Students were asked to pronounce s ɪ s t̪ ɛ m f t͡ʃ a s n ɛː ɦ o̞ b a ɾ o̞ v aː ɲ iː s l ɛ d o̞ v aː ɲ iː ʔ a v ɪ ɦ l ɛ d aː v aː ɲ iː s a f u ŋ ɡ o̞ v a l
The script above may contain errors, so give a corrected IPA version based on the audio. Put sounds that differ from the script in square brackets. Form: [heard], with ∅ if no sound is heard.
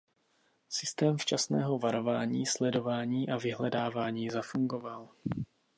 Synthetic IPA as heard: s ɪ s t̪ [ɛː] m f t͡ʃ a s n ɛː ɦ o̞ [v] a ɾ o̞ v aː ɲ iː s l ɛ d o̞ v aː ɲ iː ʔ a v ɪ ɦ l ɛ d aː v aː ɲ iː [z] a f u ŋ ɡ o̞ v a l